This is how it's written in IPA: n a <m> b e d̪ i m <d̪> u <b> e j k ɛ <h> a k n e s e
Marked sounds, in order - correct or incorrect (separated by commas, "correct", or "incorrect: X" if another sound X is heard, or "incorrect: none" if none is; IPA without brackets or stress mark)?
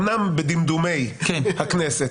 correct, correct, incorrect: m, correct